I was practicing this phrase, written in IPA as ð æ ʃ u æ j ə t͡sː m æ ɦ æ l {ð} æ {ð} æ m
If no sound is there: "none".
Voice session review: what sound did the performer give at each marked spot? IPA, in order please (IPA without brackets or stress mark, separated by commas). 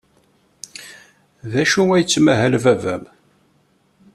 v, v